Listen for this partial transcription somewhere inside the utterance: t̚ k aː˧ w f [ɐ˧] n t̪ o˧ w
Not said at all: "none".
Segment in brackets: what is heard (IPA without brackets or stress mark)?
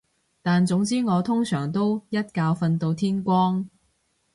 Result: ɐ˧